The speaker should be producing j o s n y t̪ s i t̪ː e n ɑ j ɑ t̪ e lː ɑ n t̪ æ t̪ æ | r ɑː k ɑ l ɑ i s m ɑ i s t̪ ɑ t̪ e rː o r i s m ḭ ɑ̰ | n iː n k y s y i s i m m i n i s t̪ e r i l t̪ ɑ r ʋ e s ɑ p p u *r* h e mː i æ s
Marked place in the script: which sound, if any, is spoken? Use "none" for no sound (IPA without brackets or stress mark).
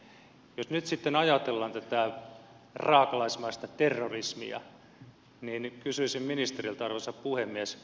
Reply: none